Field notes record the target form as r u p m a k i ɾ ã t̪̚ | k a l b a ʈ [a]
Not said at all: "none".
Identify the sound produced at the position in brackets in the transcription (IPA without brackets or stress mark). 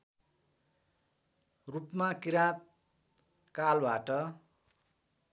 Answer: ʌ